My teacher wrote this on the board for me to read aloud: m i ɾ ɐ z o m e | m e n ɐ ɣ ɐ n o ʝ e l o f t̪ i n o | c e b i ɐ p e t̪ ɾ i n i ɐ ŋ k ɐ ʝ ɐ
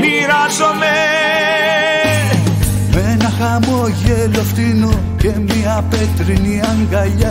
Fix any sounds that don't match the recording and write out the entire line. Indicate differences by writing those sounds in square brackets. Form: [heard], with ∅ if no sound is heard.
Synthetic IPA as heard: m i ɾ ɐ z o m e | m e n ɐ [x] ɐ [m] o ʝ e l o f t̪ i n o | c e [m] i ɐ p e t̪ ɾ i n i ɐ ŋ [ɡ] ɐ [ʎ] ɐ